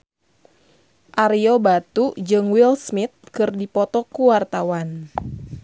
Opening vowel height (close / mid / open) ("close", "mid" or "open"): open